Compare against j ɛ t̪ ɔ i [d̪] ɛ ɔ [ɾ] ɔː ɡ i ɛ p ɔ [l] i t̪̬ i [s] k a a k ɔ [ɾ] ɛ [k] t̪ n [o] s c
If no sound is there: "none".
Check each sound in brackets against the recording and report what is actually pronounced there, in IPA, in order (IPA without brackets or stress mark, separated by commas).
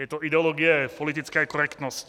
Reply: d̪, l, l, t͡s, ɾ, k, ɔ